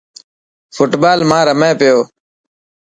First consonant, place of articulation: labial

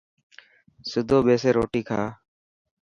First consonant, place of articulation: alveolar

